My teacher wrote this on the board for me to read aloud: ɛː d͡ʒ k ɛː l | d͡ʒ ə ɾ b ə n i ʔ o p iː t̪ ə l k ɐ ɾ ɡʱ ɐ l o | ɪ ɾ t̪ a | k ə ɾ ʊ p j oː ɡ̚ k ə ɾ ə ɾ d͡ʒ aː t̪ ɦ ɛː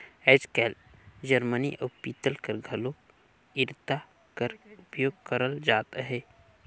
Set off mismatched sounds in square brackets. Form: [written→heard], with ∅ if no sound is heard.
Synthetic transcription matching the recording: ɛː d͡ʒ k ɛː l | d͡ʒ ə ɾ [b→m] ə n i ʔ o p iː t̪ ə l k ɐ ɾ ɡʱ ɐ l o | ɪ ɾ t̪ a | k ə ɾ ʊ p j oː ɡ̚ k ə ɾ ə [ɾ→l] d͡ʒ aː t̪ ɦ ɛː